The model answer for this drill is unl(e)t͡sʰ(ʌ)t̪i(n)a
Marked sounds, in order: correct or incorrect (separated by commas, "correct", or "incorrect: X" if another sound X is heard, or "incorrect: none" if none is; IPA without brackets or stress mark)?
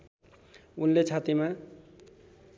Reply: correct, incorrect: a, incorrect: m